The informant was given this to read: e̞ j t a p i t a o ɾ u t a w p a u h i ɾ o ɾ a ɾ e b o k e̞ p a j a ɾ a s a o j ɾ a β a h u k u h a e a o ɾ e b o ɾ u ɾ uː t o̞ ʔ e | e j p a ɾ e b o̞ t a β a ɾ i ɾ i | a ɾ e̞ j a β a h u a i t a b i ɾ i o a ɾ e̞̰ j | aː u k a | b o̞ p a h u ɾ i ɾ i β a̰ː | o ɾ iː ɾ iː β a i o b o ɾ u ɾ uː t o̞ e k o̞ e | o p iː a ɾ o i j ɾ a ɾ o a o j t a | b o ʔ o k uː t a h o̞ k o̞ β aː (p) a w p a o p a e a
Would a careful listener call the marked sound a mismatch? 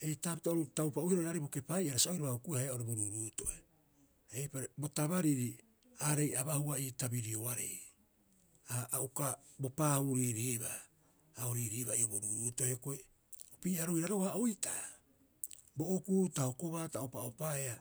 yes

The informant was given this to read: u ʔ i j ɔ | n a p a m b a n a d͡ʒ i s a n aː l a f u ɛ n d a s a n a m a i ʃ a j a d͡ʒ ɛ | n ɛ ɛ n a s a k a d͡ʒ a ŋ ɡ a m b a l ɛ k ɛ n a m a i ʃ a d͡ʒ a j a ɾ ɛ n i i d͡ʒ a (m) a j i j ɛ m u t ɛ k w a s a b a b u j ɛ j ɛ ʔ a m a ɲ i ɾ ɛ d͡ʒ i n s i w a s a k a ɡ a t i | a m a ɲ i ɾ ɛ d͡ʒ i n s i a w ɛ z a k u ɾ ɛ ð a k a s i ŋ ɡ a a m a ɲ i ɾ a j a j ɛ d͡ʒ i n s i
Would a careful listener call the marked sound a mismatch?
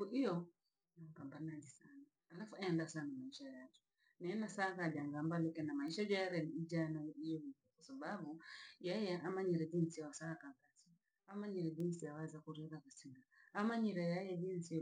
yes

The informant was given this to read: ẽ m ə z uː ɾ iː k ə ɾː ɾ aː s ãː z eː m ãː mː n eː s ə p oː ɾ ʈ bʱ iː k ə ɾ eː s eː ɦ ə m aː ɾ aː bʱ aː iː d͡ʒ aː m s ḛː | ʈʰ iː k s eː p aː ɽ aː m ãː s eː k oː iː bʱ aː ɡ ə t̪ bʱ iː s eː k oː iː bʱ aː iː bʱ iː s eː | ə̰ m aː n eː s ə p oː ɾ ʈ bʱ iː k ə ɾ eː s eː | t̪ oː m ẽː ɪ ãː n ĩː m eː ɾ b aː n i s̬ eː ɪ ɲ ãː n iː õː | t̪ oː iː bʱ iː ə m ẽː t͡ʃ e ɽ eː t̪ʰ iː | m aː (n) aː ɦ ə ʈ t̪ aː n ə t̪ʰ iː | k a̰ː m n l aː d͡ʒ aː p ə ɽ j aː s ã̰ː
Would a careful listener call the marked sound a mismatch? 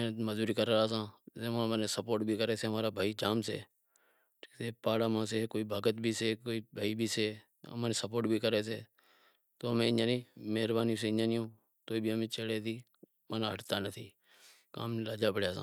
no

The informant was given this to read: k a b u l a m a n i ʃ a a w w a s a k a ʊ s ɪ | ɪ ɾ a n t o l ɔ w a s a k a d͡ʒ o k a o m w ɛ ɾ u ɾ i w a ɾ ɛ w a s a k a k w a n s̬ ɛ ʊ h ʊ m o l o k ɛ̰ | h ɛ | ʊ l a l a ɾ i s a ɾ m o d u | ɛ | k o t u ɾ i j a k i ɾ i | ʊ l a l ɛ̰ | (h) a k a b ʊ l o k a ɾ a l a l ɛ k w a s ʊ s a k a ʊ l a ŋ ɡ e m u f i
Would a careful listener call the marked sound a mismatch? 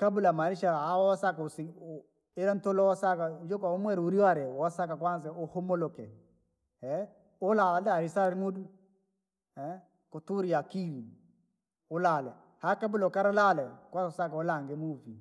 no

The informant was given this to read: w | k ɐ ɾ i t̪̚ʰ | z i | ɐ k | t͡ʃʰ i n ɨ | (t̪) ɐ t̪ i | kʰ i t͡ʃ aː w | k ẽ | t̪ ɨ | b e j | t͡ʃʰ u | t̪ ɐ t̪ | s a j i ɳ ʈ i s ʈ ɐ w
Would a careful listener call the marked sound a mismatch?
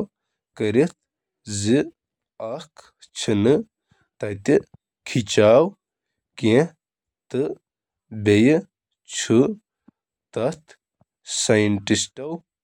no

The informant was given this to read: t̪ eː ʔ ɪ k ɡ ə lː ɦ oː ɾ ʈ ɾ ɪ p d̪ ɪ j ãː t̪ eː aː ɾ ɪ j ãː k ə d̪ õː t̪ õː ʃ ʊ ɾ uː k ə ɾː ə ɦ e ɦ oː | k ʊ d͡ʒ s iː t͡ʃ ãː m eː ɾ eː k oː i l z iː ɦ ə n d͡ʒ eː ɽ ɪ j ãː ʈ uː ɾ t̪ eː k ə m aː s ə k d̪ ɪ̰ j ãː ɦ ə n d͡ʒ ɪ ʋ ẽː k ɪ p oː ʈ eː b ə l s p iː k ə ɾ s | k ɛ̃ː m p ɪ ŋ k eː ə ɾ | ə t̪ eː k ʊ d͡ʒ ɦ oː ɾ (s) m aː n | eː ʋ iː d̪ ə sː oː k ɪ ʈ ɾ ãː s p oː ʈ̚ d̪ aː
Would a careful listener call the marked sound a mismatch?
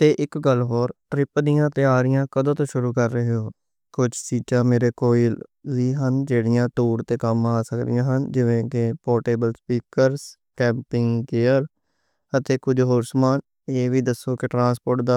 no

